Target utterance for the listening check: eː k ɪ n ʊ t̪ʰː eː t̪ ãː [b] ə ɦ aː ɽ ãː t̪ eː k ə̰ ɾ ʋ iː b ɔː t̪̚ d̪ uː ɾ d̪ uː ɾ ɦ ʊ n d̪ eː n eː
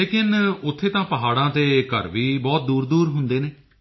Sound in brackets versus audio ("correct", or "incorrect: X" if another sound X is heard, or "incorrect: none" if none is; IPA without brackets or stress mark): incorrect: p